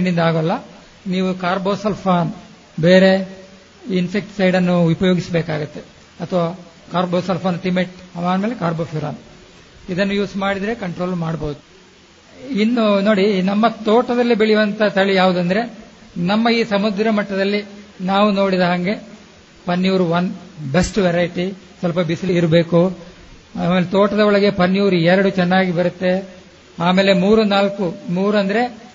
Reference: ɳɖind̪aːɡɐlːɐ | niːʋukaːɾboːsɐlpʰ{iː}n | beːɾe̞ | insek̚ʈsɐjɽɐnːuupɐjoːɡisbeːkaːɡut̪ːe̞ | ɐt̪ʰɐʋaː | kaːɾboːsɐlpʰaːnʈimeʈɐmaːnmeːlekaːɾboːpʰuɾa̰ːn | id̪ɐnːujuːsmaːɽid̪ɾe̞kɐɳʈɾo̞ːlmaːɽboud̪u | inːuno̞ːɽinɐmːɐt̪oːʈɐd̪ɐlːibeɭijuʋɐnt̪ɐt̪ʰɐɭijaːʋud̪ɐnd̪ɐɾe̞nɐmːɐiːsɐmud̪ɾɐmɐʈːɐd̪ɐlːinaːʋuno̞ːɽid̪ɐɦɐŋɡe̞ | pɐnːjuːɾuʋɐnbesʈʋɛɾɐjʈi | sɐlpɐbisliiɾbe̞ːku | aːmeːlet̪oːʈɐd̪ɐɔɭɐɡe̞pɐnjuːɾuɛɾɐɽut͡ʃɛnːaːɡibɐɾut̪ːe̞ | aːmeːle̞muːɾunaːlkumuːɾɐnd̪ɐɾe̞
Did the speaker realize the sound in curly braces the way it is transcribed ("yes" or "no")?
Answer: no